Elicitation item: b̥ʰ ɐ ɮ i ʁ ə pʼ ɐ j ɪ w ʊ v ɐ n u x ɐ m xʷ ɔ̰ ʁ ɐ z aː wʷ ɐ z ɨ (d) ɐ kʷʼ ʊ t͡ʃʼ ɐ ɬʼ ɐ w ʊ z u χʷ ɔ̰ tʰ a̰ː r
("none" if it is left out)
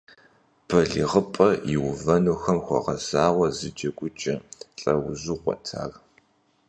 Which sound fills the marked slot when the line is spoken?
d͡ʒ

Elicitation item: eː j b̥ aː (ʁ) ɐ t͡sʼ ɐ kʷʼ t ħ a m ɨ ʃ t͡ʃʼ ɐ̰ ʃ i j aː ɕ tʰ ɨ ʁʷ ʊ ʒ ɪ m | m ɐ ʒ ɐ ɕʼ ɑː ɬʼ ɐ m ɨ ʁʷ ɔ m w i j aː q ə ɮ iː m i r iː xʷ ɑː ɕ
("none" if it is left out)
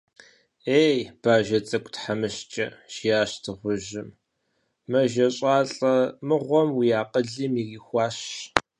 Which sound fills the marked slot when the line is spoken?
ʒ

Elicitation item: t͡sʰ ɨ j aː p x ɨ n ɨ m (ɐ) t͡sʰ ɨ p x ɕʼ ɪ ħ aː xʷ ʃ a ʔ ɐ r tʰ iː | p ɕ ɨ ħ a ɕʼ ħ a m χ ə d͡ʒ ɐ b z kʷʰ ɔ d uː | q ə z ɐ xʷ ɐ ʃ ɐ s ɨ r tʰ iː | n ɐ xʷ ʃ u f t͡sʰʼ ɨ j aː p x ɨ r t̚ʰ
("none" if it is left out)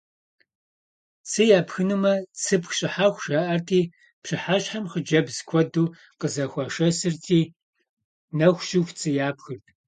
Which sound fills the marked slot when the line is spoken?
ɐ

